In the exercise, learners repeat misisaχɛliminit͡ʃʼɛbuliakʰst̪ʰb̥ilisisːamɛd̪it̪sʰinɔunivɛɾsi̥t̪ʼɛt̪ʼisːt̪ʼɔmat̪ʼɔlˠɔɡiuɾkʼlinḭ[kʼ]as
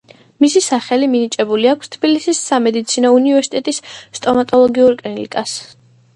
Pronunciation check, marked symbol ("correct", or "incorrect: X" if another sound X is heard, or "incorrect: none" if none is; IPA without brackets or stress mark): correct